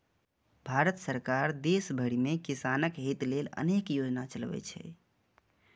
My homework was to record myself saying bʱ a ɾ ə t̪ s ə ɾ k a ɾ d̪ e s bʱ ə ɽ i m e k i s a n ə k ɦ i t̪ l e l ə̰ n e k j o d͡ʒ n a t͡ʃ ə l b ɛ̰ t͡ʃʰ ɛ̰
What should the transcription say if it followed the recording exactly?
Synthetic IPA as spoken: bʱ a ɾ ə t̪ s ə ɾ k a ɾ d̪ e s bʱ ə ɽ i m e k i s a n ə k ɦ i t̪ l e l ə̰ n e k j o d͡ʒ n a t͡ʃ ə l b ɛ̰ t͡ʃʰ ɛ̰